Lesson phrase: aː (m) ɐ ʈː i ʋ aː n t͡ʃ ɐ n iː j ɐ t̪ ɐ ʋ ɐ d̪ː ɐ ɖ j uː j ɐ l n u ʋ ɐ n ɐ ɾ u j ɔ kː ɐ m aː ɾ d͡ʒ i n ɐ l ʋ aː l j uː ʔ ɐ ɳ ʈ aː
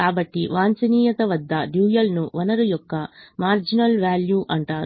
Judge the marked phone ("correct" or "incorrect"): incorrect